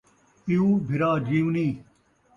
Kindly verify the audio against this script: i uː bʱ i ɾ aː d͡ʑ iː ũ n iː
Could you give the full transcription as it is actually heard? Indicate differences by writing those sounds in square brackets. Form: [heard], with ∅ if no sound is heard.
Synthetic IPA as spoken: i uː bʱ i ɾ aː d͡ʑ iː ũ n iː